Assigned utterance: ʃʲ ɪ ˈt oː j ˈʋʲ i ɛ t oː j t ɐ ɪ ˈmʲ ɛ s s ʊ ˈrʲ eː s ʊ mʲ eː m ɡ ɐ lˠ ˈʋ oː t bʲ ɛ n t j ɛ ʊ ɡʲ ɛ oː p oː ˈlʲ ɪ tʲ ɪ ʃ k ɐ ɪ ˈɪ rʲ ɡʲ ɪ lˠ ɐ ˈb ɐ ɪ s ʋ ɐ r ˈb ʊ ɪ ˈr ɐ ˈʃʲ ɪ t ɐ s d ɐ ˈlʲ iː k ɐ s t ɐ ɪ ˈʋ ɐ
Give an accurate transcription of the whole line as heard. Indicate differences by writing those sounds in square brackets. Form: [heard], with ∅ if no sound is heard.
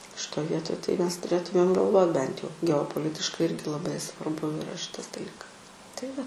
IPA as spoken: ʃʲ ɪ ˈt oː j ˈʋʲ i ɛ t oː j t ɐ ɪ ˈmʲ ɛ s [t] ʊ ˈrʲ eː [t] ʊ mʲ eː m ɡ ɐ lˠ ˈʋ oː t bʲ ɛ n t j ɛ ʊ ɡʲ ɛ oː p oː ˈlʲ ɪ tʲ ɪ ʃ k ɐ ɪ ˈɪ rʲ ɡʲ ɪ lˠ ɐ ˈb ɐ ɪ s ʋ ɐ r ˈb ʊ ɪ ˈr ɐ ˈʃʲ ɪ t ɐ s d ɐ ˈlʲ iː k ɐ s t ɐ ɪ ˈʋ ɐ